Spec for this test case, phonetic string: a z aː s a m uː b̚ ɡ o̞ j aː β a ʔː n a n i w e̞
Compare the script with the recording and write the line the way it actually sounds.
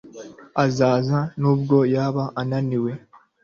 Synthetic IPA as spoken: a z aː z a n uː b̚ ɡ o̞ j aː β a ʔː n a n i w e̞